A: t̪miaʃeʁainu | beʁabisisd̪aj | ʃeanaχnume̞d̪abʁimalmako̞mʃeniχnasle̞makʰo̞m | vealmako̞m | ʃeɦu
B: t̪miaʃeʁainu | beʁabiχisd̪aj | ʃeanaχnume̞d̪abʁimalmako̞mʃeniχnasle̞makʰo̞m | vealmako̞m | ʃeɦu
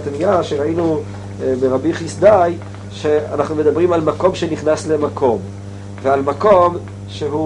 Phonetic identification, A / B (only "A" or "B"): B